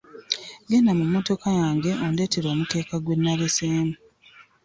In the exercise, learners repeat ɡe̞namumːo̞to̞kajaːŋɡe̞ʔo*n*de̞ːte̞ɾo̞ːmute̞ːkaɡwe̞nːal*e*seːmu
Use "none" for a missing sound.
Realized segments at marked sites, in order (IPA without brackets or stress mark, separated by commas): n, e